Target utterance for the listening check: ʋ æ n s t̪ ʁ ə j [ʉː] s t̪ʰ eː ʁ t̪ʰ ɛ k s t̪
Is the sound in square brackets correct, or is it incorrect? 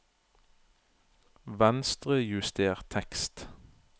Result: incorrect